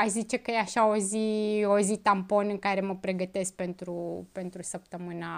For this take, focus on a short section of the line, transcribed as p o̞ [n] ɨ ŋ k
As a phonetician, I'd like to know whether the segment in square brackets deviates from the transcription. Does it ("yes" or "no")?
no